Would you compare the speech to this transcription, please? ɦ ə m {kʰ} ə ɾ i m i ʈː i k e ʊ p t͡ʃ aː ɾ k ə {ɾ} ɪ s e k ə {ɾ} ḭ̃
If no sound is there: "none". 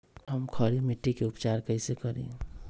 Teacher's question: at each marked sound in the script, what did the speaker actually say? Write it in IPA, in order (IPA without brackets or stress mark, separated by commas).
kʰ, none, ɾ